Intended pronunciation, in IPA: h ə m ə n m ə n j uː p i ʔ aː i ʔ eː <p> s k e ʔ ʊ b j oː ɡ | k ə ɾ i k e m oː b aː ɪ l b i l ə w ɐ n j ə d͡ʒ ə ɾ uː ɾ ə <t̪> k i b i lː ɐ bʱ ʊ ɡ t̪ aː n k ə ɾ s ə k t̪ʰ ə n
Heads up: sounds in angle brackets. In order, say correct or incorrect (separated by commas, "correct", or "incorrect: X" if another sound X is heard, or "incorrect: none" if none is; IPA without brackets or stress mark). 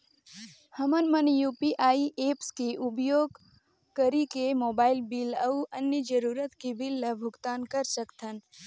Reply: correct, correct